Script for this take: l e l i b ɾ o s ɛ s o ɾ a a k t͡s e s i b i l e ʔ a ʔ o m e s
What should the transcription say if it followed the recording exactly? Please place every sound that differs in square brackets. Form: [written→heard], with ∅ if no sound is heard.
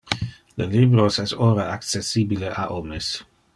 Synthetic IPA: l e l i b ɾ o s ɛ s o ɾ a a k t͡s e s i b i l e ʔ a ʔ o m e s